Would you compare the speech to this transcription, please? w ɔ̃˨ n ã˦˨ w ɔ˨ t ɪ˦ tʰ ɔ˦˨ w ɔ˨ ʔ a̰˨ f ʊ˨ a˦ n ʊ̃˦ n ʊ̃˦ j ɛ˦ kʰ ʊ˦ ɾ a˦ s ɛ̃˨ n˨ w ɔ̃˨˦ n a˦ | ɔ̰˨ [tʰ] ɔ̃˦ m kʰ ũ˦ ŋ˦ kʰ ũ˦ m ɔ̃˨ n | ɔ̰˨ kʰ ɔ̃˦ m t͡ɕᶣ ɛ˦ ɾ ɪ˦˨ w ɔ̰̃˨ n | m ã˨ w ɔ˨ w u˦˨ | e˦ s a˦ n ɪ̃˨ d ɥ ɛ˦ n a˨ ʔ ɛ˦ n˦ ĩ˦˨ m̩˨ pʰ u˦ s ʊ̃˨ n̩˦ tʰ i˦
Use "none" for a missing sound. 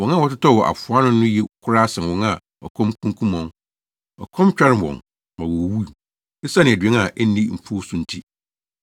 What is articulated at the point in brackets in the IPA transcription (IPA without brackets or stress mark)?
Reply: kʰ